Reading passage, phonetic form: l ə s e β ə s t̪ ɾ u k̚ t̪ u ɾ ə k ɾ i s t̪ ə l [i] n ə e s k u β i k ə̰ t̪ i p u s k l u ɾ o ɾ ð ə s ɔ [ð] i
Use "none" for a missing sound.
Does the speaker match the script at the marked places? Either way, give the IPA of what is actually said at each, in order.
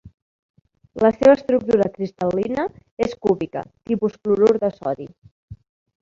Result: i, ð

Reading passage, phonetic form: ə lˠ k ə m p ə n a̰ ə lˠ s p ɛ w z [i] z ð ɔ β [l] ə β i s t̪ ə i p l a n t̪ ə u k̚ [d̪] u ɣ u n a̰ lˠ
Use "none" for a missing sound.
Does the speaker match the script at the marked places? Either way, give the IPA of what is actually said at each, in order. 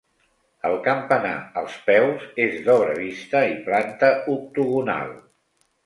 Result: e, ɾ, t̪

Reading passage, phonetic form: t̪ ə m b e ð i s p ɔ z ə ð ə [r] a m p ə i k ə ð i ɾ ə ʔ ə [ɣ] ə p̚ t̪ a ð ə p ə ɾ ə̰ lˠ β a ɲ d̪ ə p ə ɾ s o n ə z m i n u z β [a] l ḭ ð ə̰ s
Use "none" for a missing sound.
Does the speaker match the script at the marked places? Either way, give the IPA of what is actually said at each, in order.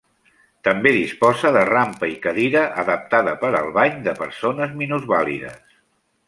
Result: r, ð, a

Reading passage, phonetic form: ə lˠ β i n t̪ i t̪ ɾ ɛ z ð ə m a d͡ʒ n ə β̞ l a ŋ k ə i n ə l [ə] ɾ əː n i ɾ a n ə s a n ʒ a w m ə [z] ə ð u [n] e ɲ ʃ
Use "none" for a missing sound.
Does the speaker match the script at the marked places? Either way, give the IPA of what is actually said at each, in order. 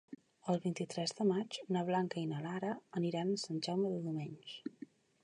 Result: a, ð, m

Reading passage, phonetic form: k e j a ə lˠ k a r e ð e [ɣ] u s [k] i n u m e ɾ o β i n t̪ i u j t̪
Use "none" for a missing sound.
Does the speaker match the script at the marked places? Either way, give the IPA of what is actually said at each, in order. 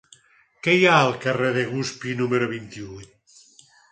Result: ɣ, p

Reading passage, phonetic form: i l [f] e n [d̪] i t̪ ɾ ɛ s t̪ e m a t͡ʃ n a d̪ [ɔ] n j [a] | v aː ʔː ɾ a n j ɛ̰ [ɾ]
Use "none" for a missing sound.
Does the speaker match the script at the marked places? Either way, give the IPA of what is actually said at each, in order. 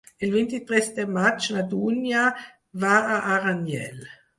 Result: v, t̪, u, a, l

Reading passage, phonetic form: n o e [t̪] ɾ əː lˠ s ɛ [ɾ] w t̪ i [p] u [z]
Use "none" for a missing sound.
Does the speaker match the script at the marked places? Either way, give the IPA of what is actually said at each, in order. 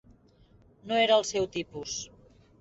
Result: none, none, p, s

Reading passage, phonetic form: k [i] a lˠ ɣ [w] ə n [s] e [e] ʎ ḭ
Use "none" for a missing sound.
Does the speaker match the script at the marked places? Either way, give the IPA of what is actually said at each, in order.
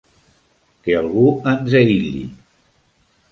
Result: e, u, z, i

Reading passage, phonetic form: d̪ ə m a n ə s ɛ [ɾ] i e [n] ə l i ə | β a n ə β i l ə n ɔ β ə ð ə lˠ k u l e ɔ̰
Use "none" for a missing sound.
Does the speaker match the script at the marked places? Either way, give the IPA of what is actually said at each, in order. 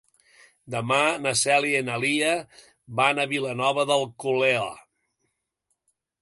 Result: l, n

